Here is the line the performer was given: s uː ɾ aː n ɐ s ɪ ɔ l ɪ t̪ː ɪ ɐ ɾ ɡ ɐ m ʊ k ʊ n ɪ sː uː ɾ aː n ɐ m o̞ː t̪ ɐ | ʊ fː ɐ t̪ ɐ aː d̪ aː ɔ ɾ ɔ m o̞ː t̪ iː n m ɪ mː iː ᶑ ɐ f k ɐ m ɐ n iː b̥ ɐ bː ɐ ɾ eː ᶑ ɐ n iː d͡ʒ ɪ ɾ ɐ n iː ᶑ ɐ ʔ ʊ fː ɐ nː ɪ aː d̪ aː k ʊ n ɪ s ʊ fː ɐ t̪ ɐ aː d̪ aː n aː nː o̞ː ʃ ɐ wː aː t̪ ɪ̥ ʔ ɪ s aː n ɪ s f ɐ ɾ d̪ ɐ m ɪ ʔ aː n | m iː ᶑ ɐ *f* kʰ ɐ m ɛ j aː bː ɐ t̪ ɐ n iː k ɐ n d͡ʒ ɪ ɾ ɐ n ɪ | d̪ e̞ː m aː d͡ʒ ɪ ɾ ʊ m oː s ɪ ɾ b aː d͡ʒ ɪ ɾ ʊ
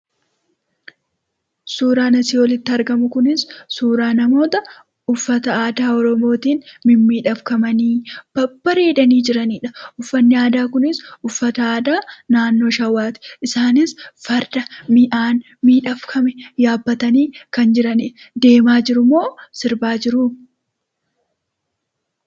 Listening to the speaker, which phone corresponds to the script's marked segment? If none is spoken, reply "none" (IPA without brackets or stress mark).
f